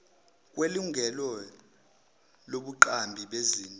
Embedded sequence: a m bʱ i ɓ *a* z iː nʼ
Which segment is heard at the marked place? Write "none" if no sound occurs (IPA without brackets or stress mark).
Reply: e